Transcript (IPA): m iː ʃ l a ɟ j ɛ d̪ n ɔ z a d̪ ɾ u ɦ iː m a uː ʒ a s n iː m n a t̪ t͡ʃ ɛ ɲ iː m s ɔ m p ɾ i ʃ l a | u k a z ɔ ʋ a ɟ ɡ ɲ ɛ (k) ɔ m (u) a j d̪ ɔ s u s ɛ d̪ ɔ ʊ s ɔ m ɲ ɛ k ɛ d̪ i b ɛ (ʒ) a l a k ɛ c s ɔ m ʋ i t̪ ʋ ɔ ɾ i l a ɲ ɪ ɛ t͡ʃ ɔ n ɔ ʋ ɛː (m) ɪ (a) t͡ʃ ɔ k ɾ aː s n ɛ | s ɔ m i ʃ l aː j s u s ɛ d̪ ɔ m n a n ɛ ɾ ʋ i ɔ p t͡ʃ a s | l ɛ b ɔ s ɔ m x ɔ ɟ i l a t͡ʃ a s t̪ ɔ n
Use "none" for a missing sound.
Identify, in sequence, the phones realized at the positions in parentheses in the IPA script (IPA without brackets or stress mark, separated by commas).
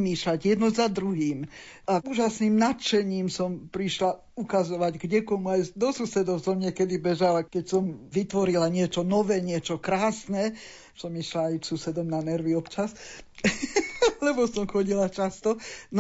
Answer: k, u, ʒ, ɲ, ɛ